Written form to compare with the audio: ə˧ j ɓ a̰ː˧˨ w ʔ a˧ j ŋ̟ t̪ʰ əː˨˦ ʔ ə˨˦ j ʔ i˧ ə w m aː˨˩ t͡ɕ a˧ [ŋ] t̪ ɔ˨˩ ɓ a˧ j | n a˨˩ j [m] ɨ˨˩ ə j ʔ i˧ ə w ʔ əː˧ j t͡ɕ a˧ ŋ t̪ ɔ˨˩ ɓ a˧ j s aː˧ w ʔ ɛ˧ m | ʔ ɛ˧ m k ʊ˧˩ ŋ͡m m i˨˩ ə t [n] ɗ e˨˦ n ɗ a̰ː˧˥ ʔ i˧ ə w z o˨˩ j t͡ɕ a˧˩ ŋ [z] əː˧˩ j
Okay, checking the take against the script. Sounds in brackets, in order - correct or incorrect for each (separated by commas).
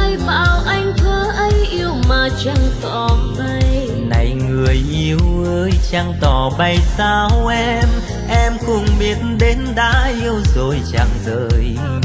correct, incorrect, correct, correct